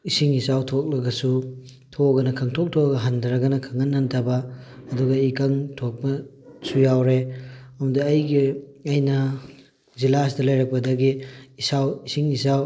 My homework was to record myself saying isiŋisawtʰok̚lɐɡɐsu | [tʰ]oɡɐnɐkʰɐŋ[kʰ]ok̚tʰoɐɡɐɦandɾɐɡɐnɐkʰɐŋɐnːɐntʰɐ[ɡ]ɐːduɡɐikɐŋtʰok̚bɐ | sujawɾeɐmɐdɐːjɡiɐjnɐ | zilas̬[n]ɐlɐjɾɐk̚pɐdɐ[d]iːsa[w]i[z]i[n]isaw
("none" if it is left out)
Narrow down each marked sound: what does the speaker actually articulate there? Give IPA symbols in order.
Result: tʰ, tʰ, b, d, ɡ, w, s, ŋ

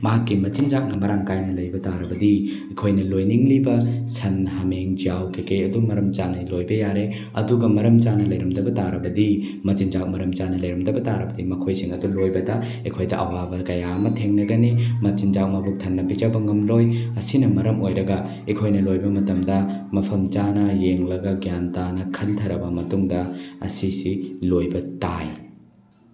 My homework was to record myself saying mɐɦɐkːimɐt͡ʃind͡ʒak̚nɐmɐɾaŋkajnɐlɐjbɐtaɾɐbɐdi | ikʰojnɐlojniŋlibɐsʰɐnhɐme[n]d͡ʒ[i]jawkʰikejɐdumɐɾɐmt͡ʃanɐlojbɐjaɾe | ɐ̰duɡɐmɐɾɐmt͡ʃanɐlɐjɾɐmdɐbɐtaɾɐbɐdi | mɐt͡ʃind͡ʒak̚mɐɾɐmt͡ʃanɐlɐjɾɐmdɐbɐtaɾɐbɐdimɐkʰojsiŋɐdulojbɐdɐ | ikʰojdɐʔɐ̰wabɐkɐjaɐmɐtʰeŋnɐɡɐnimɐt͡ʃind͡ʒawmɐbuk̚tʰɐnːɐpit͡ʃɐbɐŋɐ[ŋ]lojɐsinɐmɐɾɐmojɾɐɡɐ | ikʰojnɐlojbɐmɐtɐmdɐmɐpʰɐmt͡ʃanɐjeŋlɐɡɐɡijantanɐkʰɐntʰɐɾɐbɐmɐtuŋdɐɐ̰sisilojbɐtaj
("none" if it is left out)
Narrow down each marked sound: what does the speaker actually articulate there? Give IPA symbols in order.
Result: ŋ, i, m

